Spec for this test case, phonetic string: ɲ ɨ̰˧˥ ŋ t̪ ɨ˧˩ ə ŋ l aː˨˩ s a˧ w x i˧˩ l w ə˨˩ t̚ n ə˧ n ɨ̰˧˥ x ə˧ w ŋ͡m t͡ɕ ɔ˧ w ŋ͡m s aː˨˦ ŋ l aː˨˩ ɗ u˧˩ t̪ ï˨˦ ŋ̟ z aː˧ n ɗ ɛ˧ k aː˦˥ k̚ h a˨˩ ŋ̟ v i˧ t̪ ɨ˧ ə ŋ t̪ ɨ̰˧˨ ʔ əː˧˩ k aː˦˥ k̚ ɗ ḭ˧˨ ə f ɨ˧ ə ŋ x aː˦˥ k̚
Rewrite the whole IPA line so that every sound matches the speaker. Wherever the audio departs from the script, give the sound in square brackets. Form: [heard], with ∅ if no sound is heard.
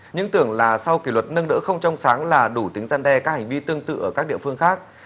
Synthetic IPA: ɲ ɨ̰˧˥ ŋ t̪ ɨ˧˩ ə ŋ l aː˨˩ s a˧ w [k] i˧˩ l w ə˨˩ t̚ n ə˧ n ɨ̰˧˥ x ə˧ w ŋ͡m t͡ɕ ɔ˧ w ŋ͡m s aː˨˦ ŋ l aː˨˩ ɗ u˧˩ t̪ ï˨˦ ŋ̟ z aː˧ n ɗ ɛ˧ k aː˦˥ k̚ h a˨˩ ŋ̟ v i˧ t̪ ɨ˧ ə ŋ t̪ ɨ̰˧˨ ʔ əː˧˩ k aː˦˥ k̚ ɗ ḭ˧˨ ə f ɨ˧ ə ŋ x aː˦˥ k̚